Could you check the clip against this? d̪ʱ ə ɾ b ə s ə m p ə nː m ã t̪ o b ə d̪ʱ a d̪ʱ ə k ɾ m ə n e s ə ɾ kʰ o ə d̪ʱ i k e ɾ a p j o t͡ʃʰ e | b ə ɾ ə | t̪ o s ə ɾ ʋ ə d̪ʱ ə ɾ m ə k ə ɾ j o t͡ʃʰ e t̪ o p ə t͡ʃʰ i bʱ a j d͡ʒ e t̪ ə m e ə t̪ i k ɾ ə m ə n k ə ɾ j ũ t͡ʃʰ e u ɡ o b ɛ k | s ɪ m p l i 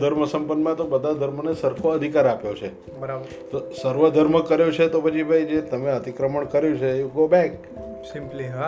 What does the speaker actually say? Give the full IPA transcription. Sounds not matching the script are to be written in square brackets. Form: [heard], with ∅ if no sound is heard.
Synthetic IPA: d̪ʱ ə ɾ [m] ə s ə m p ə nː m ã t̪ o b ə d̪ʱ a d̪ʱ ə [∅] ɾ m ə n e s ə ɾ kʰ o ə d̪ʱ i k [a] ɾ a p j o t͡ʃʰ e | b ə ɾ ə | t̪ o s ə ɾ ʋ ə d̪ʱ ə ɾ m ə k ə ɾ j o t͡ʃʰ e t̪ o p ə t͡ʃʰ i bʱ a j d͡ʒ e t̪ ə m e ə t̪ i k ɾ ə m ə [ɳ] k ə ɾ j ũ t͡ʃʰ e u ɡ o b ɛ k | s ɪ m p l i